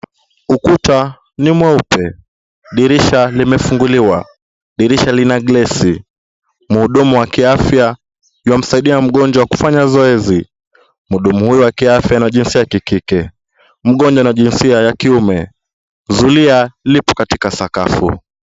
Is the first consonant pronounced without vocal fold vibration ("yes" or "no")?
yes